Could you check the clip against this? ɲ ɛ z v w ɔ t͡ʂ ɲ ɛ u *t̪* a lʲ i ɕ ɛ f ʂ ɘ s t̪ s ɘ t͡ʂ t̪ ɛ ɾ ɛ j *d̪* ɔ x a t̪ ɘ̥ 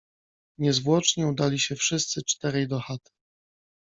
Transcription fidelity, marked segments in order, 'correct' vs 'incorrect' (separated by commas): incorrect, correct